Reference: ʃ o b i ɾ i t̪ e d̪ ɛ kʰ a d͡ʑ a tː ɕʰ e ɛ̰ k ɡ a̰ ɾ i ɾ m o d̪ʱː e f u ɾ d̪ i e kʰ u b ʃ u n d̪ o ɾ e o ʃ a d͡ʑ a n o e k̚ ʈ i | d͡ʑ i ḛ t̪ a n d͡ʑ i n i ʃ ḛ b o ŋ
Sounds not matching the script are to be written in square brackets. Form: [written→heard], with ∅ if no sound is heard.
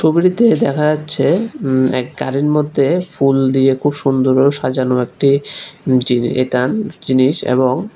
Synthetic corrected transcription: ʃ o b i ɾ i t̪ e d̪ ɛ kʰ a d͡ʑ a tː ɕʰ e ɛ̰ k ɡ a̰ ɾ i ɾ m o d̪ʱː e f u [ɾ→l] d̪ i e kʰ u b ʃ u n d̪ o ɾ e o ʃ a d͡ʑ a n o e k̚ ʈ i | d͡ʑ i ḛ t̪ a n d͡ʑ i n i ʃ ḛ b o ŋ